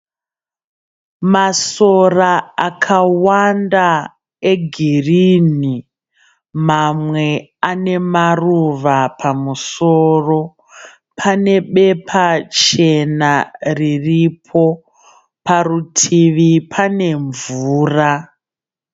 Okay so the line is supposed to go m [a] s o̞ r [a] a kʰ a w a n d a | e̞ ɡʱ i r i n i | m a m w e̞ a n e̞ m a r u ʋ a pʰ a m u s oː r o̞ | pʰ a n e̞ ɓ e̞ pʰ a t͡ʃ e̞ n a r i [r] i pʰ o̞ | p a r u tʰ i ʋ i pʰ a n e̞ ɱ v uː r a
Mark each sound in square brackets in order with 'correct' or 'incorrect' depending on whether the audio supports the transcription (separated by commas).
correct, correct, correct